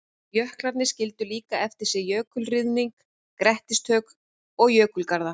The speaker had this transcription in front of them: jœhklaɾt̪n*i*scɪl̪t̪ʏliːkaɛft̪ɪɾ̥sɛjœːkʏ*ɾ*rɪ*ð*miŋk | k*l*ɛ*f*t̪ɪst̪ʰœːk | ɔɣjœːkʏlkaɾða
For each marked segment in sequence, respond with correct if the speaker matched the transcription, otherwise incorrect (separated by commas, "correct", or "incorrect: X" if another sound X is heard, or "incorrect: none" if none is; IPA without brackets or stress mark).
incorrect: ɪ, incorrect: l, correct, incorrect: ɾ, incorrect: h